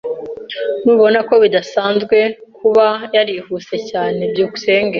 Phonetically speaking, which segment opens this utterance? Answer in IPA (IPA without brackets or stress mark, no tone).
n